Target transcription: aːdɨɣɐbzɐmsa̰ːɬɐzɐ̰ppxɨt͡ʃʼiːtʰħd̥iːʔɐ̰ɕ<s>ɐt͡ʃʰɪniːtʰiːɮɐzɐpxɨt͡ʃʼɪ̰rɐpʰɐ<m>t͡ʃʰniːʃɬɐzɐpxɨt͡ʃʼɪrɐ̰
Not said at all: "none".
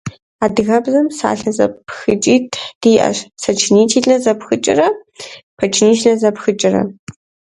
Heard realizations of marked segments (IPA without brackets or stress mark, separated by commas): s, none